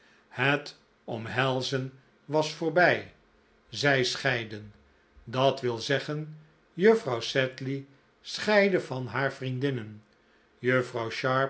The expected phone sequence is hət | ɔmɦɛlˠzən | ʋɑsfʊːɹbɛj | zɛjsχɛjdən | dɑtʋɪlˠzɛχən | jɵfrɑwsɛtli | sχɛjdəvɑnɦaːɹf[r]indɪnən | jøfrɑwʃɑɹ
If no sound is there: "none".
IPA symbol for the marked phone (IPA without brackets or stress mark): r